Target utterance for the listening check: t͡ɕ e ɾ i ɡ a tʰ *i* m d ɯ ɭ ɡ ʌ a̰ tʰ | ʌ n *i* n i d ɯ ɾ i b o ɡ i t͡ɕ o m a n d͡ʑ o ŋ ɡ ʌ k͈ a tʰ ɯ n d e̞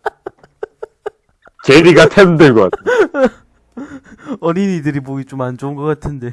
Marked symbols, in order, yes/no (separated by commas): no, yes